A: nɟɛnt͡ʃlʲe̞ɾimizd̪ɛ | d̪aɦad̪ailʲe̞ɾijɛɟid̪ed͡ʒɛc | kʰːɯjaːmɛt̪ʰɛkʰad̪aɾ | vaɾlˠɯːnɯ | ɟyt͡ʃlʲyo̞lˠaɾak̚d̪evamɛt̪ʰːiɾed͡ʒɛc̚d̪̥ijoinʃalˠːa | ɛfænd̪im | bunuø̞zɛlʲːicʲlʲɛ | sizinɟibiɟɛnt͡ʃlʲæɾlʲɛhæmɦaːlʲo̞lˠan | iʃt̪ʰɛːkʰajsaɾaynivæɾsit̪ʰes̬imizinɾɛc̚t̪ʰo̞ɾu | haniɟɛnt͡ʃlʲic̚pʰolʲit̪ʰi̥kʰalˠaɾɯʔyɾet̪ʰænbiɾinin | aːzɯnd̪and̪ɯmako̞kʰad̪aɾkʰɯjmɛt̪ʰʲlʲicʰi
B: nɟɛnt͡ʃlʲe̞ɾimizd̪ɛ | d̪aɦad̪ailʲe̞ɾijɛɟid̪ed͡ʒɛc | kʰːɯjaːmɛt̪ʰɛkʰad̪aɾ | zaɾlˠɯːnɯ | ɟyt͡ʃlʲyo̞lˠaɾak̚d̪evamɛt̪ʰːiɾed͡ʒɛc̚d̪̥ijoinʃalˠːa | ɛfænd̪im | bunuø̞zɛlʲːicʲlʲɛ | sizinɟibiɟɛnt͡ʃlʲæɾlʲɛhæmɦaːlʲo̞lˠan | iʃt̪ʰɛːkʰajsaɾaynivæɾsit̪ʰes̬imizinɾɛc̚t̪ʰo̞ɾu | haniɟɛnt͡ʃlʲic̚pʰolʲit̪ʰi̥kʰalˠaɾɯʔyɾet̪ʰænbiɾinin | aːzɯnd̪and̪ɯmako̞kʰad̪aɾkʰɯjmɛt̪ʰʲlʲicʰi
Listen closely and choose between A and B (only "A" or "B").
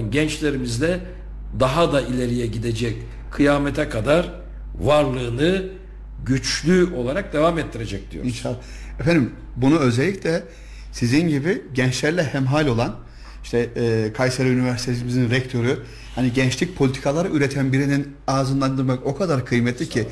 A